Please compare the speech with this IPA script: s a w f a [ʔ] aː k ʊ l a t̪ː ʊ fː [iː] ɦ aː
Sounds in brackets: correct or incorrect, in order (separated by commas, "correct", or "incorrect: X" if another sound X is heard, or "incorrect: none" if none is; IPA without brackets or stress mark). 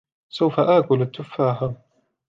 correct, incorrect: aː